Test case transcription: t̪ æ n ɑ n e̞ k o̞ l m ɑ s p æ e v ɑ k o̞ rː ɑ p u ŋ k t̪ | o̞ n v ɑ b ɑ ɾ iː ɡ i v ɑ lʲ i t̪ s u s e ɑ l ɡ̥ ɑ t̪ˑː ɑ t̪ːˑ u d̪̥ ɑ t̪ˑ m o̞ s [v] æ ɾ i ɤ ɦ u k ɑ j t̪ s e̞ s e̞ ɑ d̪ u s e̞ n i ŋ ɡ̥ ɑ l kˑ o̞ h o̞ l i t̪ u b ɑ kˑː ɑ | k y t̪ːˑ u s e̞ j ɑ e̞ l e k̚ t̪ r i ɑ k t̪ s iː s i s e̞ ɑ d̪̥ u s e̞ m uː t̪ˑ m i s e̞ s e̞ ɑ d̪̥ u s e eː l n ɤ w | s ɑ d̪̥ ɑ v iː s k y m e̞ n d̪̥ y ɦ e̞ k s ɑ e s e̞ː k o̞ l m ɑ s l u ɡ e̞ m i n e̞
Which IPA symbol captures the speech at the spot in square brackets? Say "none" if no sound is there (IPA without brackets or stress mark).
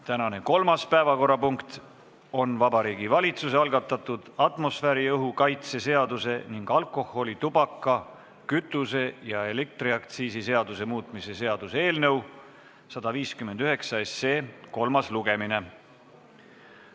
f